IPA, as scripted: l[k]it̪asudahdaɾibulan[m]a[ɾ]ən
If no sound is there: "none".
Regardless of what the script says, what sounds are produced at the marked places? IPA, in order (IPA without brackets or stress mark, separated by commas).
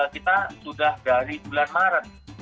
k, m, ɾ